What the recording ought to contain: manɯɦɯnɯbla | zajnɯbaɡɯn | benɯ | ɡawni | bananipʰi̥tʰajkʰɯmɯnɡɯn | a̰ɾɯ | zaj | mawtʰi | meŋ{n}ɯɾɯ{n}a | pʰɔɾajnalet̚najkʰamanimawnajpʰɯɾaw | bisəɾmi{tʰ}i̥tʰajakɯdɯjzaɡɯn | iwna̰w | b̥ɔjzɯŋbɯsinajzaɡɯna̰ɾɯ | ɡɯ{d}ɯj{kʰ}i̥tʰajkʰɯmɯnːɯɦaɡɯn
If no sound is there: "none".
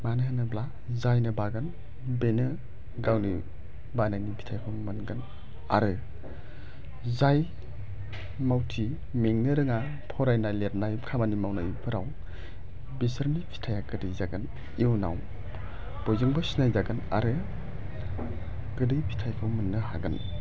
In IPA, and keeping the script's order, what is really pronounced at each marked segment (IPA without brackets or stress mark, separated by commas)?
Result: n, ŋ, pʰ, d, pʰ